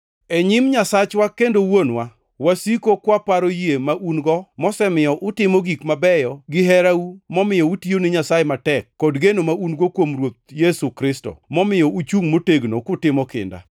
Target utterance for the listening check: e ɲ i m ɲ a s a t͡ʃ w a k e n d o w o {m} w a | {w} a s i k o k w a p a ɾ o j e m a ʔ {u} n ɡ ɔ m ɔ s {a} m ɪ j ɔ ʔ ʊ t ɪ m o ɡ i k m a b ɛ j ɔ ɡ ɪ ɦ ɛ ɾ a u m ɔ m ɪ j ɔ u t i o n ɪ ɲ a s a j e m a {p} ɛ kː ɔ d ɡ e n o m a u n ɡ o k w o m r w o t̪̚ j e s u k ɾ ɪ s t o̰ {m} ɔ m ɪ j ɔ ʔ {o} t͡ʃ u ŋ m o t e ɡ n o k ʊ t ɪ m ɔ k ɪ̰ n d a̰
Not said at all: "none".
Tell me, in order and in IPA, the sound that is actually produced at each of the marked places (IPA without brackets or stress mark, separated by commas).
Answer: n, w, u, ɛ, t, m, u